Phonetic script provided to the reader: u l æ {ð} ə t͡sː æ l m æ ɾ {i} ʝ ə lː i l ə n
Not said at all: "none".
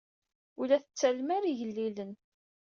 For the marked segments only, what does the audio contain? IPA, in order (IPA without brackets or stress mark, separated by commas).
θ, i